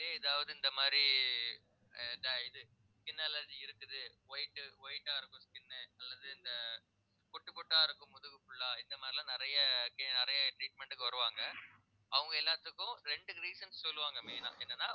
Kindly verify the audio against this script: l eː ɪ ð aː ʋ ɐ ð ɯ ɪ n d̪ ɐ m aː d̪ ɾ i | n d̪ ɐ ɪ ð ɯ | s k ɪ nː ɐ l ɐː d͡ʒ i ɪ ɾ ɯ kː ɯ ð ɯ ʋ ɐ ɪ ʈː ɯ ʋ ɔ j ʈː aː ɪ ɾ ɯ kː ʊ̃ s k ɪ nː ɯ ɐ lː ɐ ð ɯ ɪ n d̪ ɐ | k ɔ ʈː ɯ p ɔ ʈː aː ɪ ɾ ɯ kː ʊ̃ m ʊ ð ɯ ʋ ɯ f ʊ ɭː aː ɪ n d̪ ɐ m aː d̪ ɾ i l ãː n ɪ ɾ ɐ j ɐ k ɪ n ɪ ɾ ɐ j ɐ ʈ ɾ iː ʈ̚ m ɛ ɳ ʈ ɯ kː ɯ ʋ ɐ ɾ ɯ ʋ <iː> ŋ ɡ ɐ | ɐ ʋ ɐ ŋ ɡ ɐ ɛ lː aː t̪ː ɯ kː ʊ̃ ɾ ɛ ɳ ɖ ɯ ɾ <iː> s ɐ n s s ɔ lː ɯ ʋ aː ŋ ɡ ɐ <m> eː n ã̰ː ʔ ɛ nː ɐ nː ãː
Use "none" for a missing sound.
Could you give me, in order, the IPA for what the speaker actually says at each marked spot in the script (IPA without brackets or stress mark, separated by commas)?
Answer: aː, iː, m